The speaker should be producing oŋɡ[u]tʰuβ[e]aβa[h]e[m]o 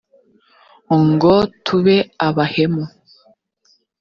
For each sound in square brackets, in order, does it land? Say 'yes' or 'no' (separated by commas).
no, yes, yes, yes